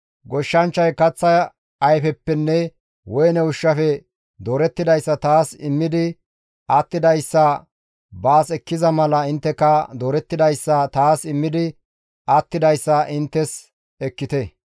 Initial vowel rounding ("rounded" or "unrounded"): rounded